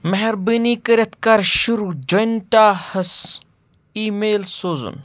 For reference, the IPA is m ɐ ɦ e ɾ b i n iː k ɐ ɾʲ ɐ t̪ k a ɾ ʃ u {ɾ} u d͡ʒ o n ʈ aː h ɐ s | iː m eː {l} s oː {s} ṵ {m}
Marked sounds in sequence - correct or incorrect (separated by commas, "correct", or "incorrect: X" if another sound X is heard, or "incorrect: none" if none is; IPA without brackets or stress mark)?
correct, correct, incorrect: z, incorrect: n